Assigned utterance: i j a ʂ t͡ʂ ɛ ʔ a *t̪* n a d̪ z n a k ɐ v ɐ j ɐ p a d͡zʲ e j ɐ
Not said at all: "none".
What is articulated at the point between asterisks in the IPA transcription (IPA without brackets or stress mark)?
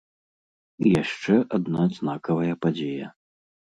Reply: d̪